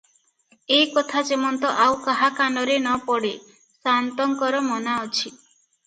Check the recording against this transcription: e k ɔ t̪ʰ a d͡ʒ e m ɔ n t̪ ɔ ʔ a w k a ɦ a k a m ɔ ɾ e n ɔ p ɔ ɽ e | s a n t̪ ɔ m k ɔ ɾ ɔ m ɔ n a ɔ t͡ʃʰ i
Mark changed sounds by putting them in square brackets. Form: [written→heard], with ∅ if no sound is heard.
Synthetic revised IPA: e k ɔ t̪ʰ a d͡ʒ e m ɔ n t̪ ɔ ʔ a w k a ɦ a k a [m→n] ɔ ɾ e n ɔ p ɔ ɽ e | s a n t̪ ɔ [m→ŋ] k ɔ ɾ ɔ m ɔ n a ɔ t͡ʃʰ i

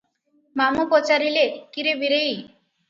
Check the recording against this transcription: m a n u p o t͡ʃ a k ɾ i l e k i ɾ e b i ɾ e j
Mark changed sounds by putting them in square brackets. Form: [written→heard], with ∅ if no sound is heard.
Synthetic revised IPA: m a [n→m] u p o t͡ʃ a [k→∅] ɾ i l e k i ɾ e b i ɾ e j

